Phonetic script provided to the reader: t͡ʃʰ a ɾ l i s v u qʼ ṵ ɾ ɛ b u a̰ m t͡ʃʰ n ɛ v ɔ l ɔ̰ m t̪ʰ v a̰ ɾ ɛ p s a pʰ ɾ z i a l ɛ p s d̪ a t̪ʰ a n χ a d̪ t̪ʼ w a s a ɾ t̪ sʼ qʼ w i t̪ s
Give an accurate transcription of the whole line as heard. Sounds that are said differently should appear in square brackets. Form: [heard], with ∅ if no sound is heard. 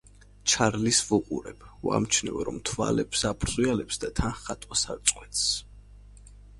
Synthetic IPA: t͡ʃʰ a ɾ l i s v u qʼ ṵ ɾ ɛ b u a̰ m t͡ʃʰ n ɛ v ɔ [ɾ] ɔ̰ m t̪ʰ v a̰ [l] ɛ p s a pʰ ɾ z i a l ɛ p s d̪ a t̪ʰ a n χ a [∅] t̪ʼ w a s a ɾ t̪ sʼ qʼ w [ɛ] t̪ s